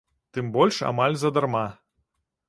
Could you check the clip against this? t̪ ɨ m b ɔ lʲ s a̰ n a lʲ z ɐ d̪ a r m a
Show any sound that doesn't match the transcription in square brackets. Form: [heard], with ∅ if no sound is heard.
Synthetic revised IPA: t̪ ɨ m b ɔ lʲ [ʂ] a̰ [m] a lʲ z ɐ d̪ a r m a